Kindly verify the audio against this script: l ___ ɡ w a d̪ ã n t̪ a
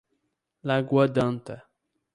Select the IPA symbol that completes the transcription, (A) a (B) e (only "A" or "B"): A